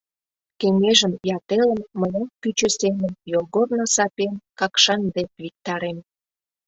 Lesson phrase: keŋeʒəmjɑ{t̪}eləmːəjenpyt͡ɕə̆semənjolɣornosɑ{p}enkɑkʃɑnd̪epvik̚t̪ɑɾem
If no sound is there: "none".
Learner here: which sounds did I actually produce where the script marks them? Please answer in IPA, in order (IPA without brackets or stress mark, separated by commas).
t̪, p